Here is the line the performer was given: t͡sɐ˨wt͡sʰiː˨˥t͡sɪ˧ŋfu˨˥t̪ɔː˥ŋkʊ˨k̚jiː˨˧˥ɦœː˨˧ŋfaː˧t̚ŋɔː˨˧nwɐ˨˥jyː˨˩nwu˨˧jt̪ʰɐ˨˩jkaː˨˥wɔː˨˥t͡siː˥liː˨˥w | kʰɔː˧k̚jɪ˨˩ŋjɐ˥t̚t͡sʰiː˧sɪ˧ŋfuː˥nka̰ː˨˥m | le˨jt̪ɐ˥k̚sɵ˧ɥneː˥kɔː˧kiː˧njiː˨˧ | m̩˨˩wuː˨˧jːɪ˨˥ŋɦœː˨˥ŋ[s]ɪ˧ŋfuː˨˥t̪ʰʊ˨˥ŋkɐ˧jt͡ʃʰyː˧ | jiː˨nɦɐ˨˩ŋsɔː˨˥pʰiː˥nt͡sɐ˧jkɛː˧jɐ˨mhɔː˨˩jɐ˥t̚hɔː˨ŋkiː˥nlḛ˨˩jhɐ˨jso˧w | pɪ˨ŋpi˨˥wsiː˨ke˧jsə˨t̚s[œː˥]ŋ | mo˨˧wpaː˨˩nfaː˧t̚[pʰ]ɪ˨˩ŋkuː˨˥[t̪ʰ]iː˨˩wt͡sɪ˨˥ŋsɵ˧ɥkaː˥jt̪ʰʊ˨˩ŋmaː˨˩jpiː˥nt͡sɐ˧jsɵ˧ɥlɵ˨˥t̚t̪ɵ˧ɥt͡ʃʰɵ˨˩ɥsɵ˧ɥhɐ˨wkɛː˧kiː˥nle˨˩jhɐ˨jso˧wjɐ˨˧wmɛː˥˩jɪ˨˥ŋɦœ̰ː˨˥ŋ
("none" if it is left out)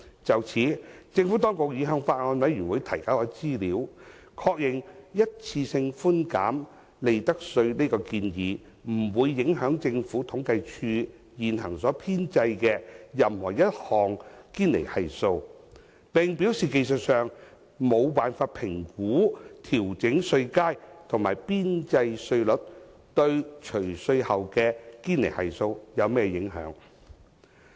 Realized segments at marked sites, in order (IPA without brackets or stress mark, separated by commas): t͡s, œː˨, pʰ, t̪ʰ